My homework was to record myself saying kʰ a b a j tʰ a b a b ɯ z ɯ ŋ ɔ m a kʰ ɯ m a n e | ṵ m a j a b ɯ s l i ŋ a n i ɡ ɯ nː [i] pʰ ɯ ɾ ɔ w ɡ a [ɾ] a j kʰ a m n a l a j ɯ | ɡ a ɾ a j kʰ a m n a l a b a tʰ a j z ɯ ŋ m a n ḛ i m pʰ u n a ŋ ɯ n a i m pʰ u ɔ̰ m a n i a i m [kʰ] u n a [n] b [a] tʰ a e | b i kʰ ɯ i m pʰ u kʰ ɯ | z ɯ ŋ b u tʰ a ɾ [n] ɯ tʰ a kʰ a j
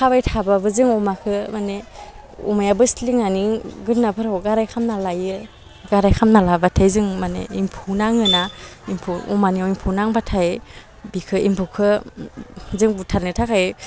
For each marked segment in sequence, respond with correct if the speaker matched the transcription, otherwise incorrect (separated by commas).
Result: incorrect, correct, incorrect, incorrect, correct, correct